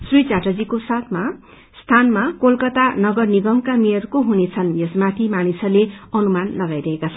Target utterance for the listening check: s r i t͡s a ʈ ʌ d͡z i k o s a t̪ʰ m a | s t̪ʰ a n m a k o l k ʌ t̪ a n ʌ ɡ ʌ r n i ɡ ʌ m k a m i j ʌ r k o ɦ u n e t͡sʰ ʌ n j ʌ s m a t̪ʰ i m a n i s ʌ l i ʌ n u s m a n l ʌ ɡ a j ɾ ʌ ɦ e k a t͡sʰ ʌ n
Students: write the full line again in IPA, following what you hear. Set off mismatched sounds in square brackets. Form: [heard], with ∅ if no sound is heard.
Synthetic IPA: s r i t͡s a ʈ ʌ d͡z i k o s a t̪ʰ m a | s t̪ʰ a n m a k o l k ʌ t̪ a n ʌ ɡ ʌ r n i ɡ ʌ m k a m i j ʌ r k o ɦ u n e t͡sʰ ʌ n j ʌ s m a t̪ʰ i m a n i s ʌ l [e] ʌ n u [∅] m a n l ʌ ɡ a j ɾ ʌ ɦ e k a t͡sʰ ʌ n